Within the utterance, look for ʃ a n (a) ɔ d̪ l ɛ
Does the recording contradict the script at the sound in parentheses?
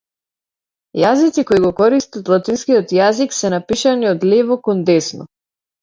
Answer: yes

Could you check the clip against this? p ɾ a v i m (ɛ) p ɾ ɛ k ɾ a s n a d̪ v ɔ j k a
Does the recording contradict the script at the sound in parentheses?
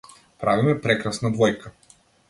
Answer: no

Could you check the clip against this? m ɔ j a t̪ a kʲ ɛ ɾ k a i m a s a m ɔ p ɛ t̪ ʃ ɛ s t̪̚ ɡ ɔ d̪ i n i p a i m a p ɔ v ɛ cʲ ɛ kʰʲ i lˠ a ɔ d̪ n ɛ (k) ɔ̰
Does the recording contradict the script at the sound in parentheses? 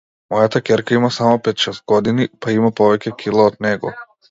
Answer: yes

